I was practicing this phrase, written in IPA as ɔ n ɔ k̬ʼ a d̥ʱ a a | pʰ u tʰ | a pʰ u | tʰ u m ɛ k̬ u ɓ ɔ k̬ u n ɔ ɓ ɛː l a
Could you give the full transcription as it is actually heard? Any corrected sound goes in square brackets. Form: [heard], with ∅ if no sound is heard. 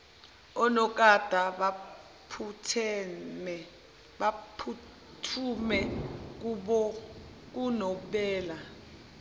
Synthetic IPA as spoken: ɔ n ɔ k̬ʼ a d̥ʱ a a | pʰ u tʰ | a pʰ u | tʰ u m ɛ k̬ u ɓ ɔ k̬ u n ɔ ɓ ɛː l a